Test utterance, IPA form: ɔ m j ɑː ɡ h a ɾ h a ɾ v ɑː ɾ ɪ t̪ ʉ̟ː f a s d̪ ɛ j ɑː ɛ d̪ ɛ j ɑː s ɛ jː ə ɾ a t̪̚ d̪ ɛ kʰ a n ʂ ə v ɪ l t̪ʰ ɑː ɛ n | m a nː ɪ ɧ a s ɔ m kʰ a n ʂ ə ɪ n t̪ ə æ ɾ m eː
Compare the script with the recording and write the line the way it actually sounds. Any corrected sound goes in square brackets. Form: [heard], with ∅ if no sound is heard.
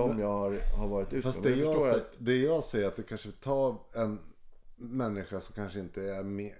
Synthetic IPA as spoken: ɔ m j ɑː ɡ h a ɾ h a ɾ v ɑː ɾ ɪ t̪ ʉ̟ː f a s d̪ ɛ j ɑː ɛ d̪ ɛ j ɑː s ɛ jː ə ɾ a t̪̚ d̪ ɛ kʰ a n ʂ ə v ɪ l t̪ʰ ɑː ɛ n | m [ɛ] nː ɪ ɧ a s ɔ m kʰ a n ʂ ə ɪ n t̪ ə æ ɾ m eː